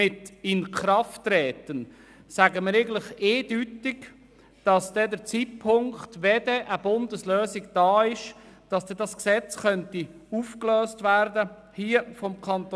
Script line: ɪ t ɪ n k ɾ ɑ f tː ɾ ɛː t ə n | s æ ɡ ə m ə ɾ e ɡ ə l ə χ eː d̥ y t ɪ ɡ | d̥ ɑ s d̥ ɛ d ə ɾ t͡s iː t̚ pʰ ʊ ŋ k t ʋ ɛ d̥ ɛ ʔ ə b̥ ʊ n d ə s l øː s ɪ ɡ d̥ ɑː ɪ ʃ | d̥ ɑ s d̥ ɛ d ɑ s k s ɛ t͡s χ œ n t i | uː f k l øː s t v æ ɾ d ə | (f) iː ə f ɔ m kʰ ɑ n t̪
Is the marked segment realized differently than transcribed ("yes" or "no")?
yes